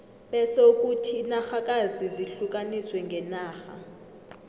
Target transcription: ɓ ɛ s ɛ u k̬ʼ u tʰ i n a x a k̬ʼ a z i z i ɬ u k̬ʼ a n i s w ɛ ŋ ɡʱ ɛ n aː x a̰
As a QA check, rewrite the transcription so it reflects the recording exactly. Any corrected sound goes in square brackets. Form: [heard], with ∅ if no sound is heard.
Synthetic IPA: ɓ ɛ s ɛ u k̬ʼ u tʰ i n a x a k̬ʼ a z i z i ɬ u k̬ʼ a n i s w ɛ ŋ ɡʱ ɛ n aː x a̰